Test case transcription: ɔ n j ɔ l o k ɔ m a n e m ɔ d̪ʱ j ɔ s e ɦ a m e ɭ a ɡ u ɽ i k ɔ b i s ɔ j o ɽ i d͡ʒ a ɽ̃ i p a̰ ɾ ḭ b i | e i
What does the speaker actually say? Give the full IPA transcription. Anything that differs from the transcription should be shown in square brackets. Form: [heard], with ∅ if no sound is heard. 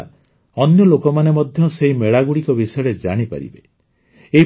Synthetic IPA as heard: ɔ n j ɔ l o k ɔ m a n e m ɔ d̪ʱ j ɔ s e ɦ [i] m e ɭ a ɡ u ɽ i k ɔ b i s ɔ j [ɔ] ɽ [e] d͡ʒ a ɽ̃ i p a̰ ɾ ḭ b [e] | e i